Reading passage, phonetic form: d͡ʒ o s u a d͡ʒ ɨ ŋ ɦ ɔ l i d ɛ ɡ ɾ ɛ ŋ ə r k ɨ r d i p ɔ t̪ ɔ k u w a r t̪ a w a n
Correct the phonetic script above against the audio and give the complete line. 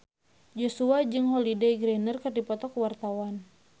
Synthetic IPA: d͡ʒ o s u a d͡ʒ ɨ ŋ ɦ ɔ l i d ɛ ɡ ɾ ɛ n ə r k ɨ r d i p ɔ t̪ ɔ k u w a r t̪ a w a n